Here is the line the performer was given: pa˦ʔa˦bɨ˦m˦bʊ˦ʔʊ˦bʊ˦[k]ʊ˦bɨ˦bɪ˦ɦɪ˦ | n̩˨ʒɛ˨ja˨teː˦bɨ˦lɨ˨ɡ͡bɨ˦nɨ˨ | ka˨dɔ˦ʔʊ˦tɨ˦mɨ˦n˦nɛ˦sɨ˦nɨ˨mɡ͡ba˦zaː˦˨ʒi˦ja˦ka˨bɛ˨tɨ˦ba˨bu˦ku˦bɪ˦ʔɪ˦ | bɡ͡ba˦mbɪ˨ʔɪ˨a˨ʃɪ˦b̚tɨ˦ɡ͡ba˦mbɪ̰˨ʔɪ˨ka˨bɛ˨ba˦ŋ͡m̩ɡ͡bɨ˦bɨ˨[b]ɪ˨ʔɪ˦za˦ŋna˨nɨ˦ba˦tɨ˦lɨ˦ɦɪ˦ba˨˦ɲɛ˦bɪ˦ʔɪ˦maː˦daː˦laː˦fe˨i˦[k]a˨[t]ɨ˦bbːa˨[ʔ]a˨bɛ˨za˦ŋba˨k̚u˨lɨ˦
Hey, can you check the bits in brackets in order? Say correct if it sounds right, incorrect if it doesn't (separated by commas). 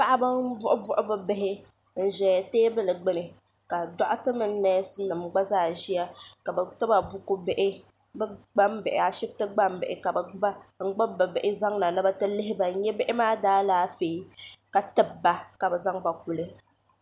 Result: incorrect, correct, correct, correct, incorrect